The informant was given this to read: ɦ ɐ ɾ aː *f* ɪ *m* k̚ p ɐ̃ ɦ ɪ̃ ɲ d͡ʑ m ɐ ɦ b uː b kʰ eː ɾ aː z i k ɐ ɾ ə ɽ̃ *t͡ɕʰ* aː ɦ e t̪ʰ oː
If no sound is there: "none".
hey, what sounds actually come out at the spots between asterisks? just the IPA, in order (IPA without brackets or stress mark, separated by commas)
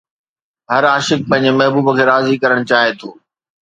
ʃ, none, t͡ɕ